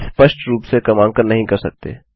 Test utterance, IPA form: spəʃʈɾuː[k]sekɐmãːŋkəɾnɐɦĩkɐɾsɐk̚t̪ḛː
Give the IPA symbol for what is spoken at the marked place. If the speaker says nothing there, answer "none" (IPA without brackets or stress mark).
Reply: p